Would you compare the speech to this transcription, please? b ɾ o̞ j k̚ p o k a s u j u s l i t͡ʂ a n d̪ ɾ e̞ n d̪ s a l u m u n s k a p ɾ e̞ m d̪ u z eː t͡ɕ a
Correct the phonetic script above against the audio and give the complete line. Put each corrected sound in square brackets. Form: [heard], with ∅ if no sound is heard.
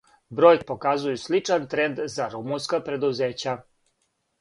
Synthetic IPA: b ɾ o̞ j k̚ p o k a [z] u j u s l i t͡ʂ a n [t̪] ɾ e̞ n d̪ [z] a [ɾ] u m u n s k a p ɾ e̞ [∅] d̪ u z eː t͡ɕ a